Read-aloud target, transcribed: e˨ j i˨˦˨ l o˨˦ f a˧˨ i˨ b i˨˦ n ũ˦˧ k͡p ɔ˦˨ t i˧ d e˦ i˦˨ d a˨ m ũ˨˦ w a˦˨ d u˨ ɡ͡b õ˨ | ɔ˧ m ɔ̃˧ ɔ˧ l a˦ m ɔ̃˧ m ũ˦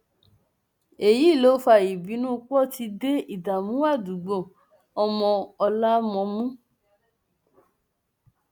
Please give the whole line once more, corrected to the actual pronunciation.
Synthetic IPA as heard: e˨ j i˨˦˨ l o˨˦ f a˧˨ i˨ b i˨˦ n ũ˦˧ k͡p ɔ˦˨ t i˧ d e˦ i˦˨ d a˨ m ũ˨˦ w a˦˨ d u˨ ɡ͡b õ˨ | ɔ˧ m ɔ̃˧ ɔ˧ l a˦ m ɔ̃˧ m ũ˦